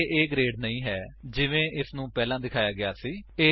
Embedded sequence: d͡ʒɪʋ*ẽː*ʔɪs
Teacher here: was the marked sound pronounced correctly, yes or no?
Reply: yes